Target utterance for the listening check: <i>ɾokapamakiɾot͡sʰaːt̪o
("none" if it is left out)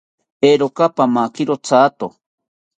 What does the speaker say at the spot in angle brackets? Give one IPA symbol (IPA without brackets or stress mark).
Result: e